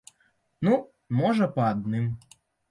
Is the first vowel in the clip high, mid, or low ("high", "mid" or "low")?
high